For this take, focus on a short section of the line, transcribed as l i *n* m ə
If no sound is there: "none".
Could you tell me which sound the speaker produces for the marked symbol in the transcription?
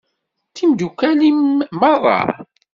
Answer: m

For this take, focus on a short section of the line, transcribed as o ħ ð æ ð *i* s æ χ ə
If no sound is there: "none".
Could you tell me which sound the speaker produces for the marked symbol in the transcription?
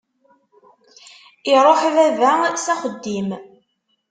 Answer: æ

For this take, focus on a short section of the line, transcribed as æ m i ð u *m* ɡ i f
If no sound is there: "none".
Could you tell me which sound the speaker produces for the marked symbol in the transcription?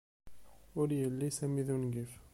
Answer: n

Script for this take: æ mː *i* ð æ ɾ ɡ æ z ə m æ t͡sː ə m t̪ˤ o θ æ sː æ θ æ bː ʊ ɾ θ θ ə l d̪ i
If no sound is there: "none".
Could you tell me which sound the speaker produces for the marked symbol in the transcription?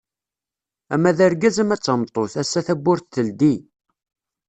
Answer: æ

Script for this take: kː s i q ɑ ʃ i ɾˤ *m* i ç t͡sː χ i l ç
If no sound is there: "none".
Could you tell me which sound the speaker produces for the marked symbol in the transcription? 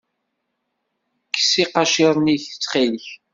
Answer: n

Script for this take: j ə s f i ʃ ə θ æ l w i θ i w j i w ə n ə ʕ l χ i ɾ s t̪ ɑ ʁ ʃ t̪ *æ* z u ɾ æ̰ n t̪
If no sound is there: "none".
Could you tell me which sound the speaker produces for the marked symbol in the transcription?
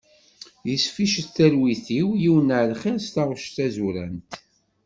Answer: æ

